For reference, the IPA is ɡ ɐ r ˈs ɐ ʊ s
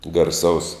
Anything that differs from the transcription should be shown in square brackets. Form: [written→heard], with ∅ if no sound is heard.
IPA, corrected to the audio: ɡ ɐ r ˈs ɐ ʊ s